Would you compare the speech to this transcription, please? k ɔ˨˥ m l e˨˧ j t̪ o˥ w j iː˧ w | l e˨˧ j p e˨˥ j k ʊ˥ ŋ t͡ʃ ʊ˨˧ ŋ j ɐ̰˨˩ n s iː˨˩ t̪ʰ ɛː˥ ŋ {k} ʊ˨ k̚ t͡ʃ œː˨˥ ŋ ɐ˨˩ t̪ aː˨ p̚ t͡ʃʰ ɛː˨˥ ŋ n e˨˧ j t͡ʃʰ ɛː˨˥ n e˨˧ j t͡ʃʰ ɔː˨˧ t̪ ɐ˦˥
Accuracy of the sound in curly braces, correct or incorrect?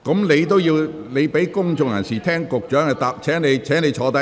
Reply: correct